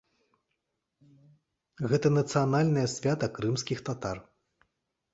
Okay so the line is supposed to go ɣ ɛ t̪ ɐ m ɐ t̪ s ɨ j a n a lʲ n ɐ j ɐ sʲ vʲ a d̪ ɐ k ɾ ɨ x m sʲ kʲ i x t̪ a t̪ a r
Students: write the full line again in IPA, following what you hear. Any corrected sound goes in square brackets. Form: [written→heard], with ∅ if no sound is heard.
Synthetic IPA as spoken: ɣ ɛ t̪ ɐ [m→n] ɐ t̪ s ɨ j a n a lʲ n ɐ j ɐ sʲ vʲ a [d̪→t̪] ɐ k ɾ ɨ [x→∅] m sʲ kʲ i x t̪ a t̪ a r